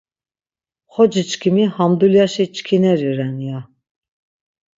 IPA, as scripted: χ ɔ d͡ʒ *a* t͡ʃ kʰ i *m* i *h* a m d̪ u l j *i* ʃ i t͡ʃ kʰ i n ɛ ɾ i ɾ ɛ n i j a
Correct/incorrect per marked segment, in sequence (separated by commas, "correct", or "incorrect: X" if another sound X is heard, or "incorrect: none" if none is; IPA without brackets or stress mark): incorrect: i, correct, correct, incorrect: a